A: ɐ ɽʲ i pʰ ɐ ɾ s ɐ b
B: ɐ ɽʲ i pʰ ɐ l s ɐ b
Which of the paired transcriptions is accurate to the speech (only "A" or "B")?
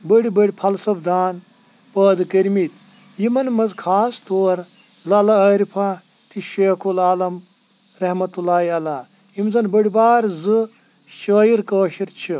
B